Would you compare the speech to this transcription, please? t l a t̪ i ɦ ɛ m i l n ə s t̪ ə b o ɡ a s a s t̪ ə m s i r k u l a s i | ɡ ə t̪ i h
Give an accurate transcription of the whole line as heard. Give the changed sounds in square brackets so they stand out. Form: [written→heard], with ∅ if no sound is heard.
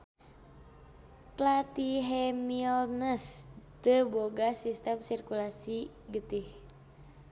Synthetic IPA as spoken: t l a t̪ i ɦ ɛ m i l n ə s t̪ ə b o ɡ a s [a→i] s t̪ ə m s i r k u l a s i | ɡ ə t̪ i h

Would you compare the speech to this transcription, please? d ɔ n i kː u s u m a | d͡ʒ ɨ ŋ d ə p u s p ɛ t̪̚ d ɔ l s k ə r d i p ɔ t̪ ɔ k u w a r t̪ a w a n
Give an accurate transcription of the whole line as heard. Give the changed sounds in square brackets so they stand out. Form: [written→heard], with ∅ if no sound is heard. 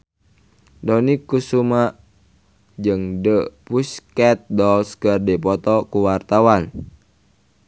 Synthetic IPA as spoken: d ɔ n i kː u s u m a | d͡ʒ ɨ ŋ d ə p u s [p→k] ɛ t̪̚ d ɔ l s k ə r d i p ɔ t̪ ɔ k u w a r t̪ a w a n

